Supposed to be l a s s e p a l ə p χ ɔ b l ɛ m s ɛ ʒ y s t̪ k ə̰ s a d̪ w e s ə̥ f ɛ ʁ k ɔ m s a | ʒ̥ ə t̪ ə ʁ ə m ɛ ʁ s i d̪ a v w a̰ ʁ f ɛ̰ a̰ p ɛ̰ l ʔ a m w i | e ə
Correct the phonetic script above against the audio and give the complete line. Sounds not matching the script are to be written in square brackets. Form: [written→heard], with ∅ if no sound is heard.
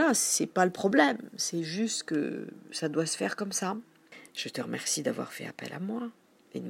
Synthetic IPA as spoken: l a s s [e→ɛ] p a l ə p χ ɔ b l ɛ m s ɛ ʒ y s t̪ k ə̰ s a d̪ w [e→a] s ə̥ f ɛ ʁ k ɔ m s a | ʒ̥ ə t̪ ə ʁ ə m ɛ ʁ s i d̪ a v w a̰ ʁ f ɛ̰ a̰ p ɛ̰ l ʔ a m w [i→a] | e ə